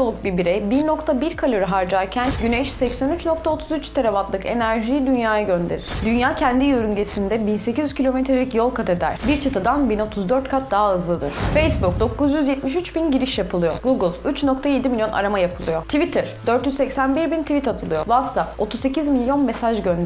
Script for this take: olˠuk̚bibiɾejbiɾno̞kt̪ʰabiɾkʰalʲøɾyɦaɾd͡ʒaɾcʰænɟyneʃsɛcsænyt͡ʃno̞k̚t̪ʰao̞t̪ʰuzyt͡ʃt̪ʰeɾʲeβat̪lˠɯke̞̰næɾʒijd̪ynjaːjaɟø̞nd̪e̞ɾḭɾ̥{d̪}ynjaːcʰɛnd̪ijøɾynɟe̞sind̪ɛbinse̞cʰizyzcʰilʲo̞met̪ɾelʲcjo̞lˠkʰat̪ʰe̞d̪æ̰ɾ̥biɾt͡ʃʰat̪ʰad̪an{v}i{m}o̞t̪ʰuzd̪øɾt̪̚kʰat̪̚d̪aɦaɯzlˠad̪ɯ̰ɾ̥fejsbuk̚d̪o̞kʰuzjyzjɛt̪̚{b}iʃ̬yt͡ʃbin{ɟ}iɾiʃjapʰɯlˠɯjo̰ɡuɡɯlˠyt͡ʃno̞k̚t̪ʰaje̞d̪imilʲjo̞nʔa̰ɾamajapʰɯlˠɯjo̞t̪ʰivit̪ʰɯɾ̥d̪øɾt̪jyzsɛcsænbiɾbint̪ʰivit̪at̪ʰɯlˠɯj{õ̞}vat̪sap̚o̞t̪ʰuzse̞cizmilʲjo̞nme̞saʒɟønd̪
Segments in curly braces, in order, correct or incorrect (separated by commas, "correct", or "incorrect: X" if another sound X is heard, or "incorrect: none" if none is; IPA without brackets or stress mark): correct, incorrect: b, incorrect: n, incorrect: m, correct, incorrect: o̞